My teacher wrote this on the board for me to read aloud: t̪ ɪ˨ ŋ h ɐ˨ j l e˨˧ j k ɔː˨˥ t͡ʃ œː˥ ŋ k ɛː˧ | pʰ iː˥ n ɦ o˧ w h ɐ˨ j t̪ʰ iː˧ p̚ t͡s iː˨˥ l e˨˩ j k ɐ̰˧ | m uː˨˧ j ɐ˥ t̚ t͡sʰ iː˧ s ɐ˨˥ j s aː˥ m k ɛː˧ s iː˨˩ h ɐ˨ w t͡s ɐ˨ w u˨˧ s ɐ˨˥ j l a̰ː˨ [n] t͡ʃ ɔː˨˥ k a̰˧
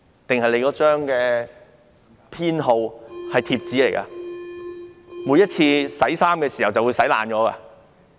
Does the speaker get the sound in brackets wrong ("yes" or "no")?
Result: no